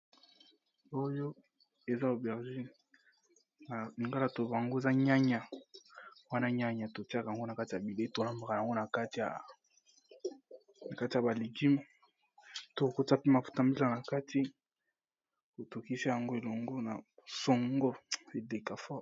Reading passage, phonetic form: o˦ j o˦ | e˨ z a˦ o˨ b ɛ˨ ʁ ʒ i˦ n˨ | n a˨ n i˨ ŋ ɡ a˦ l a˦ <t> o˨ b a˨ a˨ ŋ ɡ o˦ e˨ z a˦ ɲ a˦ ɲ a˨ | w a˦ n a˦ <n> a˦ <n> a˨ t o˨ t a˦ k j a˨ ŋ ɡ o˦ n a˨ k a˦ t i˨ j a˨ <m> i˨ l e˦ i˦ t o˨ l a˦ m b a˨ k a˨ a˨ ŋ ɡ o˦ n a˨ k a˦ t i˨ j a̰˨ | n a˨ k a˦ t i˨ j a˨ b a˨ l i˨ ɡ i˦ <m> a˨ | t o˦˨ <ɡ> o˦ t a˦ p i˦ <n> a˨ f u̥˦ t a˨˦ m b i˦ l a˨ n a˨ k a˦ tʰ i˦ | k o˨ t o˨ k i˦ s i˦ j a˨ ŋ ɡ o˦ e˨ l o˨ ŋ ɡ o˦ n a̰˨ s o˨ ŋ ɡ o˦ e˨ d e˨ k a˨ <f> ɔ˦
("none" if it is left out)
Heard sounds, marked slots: t, ɲ, ɲ, b, m, k, m, f

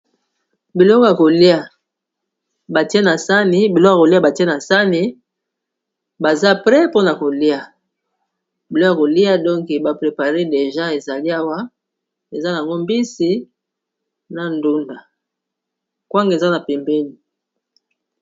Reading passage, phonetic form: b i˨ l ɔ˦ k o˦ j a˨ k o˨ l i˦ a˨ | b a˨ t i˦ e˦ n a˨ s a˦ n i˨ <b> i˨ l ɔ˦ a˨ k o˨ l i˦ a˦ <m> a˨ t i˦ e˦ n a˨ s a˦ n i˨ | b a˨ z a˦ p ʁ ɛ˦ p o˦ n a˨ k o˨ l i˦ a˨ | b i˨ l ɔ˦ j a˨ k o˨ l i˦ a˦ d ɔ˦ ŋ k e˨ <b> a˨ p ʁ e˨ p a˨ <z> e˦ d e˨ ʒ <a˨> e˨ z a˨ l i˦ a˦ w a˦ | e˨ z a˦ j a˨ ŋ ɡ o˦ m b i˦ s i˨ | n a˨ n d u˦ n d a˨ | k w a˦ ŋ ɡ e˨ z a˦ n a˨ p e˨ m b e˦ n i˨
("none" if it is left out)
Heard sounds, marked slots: b, b, b, ʁ, a˦

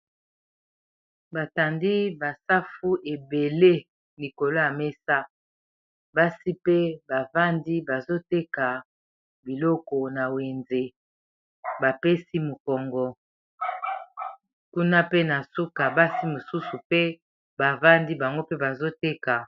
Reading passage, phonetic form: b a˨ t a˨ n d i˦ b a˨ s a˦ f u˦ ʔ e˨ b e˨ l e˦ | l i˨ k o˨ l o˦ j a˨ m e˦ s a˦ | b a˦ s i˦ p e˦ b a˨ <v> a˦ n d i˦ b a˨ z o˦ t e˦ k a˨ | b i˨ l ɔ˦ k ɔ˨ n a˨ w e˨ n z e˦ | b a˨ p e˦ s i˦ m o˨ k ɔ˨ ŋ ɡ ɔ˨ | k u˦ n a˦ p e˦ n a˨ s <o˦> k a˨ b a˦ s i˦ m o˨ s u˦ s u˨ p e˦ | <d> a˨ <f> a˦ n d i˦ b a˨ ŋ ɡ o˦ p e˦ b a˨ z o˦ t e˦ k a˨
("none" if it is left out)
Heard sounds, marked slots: v, u˦, b, v

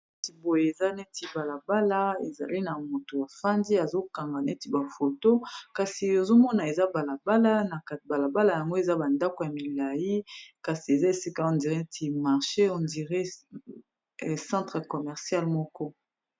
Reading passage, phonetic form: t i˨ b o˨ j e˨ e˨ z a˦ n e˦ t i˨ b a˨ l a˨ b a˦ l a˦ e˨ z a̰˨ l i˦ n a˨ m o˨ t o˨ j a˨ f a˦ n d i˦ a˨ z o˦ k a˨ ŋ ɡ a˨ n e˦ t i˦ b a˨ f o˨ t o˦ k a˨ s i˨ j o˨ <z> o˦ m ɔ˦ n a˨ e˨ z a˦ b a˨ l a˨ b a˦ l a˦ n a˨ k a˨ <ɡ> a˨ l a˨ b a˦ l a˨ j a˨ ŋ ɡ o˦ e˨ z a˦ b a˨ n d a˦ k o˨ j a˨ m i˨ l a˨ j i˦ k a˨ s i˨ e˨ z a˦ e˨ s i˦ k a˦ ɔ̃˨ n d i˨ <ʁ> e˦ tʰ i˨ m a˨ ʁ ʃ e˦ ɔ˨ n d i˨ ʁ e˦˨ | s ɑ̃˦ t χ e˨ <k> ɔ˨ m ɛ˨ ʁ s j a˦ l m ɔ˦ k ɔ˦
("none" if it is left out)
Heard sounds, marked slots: z, b, ʁ, k

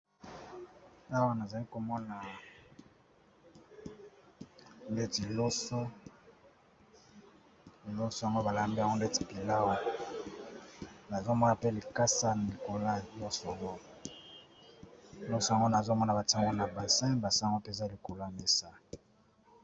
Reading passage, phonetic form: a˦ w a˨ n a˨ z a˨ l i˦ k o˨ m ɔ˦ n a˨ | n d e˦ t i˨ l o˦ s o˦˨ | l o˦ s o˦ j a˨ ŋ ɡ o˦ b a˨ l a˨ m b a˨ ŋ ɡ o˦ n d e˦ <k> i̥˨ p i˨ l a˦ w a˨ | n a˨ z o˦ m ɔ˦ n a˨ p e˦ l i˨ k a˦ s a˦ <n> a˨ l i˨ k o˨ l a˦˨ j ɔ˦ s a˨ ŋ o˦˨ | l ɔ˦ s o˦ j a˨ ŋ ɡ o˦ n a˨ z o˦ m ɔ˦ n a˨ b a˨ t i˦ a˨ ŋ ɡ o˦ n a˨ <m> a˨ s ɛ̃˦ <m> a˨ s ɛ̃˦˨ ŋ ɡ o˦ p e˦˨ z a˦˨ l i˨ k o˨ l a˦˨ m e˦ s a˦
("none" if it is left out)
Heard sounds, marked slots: t, n, b, b

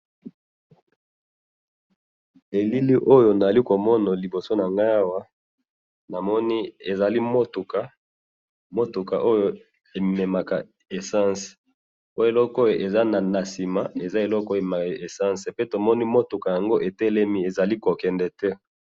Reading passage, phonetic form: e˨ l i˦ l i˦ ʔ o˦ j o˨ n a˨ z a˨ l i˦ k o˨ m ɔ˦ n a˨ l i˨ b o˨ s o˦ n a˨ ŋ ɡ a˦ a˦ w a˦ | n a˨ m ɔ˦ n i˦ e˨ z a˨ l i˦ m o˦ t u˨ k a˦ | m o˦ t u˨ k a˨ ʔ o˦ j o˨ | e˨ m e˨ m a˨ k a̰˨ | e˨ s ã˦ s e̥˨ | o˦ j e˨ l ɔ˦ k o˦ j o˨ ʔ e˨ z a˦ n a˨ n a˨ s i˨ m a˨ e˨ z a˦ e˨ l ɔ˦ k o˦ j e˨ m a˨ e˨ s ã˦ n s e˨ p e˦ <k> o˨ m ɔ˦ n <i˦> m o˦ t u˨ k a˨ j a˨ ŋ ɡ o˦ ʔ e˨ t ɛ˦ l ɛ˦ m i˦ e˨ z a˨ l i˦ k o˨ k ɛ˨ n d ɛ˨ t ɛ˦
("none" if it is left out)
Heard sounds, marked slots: t, i˦

